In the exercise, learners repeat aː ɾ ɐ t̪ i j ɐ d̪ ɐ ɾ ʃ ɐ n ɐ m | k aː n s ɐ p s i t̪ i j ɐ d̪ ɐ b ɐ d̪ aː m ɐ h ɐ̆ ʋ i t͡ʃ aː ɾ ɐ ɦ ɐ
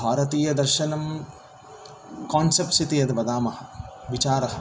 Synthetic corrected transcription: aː ɾ ɐ t̪ iː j ɐ d̪ ɐ ɾ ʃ ɐ n ɐ m | k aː n s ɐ p s i t̪ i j ɐ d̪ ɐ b ɐ d̪ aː m ɐ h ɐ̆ ʋ i t͡ʃ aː ɾ ɐ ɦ ɐ